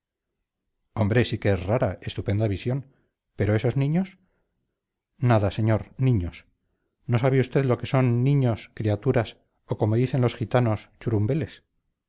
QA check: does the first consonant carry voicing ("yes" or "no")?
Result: yes